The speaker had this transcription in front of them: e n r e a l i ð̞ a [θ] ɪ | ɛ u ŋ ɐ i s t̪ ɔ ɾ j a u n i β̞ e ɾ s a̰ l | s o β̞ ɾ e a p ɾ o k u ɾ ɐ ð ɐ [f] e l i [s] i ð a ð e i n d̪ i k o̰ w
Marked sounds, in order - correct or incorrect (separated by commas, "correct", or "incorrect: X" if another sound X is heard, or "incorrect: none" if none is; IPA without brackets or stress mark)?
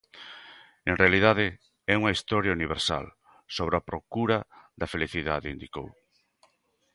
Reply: incorrect: ð, correct, incorrect: θ